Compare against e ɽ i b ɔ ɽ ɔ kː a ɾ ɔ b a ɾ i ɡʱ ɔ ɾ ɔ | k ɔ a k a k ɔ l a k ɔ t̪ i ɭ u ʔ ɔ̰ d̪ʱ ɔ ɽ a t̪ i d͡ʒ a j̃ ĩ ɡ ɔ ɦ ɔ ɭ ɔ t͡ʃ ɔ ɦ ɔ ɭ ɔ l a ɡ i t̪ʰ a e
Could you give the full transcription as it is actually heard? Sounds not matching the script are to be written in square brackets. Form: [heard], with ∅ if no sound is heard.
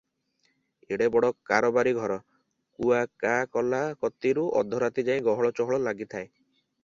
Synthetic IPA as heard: e ɽ [e] b ɔ ɽ ɔ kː a ɾ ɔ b a ɾ i ɡʱ ɔ ɾ ɔ | k [u] a k a k ɔ l a k ɔ t̪ i [ɾ] u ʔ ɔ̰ d̪ʱ ɔ [ɾ] a t̪ i d͡ʒ a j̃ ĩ ɡ ɔ ɦ ɔ ɭ ɔ t͡ʃ ɔ ɦ ɔ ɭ ɔ l a ɡ i t̪ʰ a e